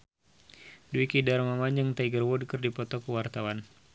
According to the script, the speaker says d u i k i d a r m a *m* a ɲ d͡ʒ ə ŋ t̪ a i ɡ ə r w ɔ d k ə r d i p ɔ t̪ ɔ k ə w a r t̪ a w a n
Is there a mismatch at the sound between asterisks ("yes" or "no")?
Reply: no